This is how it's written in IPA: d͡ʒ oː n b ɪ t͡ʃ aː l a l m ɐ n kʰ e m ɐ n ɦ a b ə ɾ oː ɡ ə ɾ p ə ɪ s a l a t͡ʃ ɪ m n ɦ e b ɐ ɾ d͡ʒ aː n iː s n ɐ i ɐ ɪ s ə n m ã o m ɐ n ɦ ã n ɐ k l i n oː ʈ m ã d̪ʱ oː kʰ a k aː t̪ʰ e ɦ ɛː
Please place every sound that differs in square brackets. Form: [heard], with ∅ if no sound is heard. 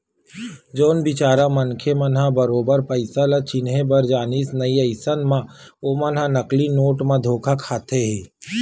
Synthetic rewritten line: d͡ʒ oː n b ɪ t͡ʃ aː [ɾ] a [∅] m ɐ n kʰ e m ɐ n ɦ a b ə ɾ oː [b] ə ɾ p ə ɪ s a l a t͡ʃ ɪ [∅] n ɦ e b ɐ ɾ d͡ʒ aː n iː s n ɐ i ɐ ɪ s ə n m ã o m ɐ n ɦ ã n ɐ k l i n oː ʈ m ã d̪ʱ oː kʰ a [kʰ] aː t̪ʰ e ɦ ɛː